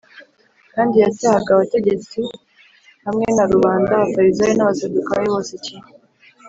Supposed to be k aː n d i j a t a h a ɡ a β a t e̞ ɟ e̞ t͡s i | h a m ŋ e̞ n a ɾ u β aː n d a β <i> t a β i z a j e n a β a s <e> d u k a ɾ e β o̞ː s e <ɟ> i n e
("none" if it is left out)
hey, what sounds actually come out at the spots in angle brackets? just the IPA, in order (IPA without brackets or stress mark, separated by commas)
a, e, c